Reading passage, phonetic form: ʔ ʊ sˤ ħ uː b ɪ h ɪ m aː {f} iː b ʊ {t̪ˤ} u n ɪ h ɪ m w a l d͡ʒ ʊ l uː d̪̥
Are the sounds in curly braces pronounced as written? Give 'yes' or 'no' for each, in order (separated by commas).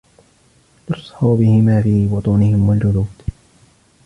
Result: yes, yes